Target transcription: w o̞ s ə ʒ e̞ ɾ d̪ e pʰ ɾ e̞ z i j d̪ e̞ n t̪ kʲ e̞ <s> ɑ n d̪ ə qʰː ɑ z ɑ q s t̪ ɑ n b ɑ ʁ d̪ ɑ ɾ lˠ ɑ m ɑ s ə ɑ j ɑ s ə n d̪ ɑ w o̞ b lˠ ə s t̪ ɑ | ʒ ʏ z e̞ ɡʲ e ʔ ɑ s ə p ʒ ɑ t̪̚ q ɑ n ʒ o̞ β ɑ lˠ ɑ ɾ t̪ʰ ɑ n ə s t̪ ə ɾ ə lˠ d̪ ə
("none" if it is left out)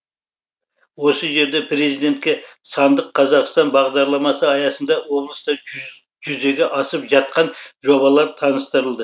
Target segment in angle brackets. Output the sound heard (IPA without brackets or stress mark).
s